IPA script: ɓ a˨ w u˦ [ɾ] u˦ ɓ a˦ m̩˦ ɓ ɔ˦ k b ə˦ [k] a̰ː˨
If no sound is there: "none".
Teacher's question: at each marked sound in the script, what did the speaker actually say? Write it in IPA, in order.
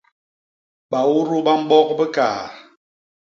ɾ, k

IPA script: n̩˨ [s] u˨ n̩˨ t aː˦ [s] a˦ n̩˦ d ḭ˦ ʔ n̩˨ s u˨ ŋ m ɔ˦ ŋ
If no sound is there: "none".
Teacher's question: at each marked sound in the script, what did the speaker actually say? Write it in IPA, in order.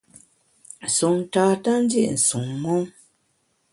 s, t

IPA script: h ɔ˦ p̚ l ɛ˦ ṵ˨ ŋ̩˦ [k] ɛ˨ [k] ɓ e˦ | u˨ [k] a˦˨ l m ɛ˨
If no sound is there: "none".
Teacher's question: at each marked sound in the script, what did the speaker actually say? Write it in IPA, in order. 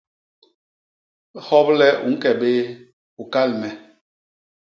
k, none, k

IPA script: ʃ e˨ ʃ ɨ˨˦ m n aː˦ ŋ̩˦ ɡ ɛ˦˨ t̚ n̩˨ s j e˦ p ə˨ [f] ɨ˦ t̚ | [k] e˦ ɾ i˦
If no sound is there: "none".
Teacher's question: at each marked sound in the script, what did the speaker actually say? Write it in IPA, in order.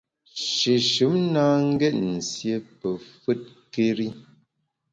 f, k

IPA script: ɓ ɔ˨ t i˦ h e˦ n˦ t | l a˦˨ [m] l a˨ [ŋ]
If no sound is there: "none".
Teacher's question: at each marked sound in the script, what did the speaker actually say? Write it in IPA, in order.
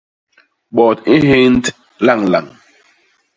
ŋ, ŋ

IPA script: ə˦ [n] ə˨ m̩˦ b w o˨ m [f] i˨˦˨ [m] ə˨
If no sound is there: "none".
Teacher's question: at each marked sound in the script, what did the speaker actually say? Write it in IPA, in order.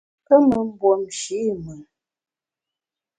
m, ʃ, m

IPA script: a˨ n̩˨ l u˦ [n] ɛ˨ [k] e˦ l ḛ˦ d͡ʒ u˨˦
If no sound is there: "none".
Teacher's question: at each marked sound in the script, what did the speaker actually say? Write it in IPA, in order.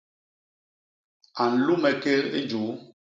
m, k

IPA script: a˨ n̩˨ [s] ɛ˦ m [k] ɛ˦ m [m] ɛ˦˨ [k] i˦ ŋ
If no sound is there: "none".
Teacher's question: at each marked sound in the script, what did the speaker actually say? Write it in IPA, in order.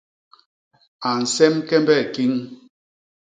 s, k, b, k

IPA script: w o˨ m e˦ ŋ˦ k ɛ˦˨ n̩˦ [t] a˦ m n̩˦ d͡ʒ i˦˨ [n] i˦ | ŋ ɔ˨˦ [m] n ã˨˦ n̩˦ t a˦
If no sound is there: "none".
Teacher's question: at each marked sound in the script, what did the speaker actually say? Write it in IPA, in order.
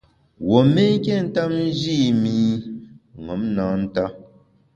t, m, m

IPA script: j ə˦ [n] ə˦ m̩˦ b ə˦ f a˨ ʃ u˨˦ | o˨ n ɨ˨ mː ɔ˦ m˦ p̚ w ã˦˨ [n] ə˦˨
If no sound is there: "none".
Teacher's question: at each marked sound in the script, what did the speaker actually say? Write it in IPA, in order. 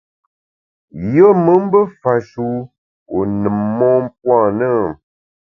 m, n

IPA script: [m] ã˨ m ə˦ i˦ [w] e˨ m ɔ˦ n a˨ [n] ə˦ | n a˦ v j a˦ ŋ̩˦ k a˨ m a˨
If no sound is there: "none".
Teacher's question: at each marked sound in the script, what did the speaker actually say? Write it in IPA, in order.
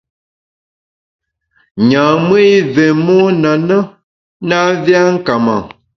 ɲ, v, n

